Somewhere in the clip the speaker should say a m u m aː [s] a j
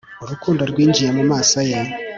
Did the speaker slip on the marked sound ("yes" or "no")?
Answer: no